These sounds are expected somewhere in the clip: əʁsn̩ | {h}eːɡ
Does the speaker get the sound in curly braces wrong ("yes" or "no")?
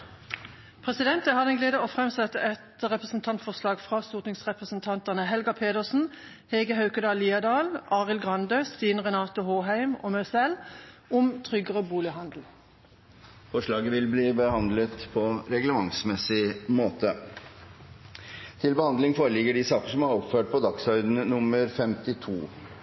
no